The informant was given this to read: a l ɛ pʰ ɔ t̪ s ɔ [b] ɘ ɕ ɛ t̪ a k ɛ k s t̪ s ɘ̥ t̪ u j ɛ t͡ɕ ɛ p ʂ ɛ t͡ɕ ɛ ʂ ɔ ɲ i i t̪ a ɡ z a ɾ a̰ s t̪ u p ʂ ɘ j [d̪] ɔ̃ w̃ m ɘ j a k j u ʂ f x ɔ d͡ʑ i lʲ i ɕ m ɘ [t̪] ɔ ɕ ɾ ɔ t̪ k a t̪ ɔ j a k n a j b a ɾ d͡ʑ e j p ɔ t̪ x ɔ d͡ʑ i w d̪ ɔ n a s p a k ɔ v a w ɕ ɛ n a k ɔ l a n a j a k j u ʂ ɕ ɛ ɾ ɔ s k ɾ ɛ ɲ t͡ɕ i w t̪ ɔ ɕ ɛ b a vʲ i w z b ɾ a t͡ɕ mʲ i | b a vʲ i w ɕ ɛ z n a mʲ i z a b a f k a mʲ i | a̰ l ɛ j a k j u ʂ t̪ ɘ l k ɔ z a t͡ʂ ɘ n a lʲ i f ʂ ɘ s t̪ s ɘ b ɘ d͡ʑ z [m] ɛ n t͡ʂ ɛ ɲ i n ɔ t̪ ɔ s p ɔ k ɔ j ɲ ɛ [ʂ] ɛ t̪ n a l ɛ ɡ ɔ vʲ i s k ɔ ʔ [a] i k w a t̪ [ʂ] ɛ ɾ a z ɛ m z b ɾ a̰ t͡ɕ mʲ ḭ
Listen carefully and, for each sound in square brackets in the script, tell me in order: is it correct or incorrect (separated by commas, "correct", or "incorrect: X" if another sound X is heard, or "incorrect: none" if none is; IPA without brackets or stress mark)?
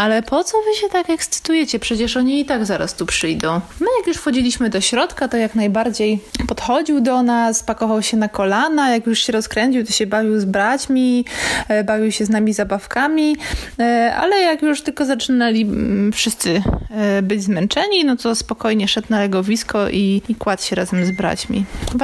incorrect: v, correct, incorrect: d̪, correct, correct, incorrect: i, incorrect: ɕ